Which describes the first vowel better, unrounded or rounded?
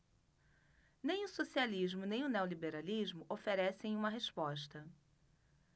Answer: unrounded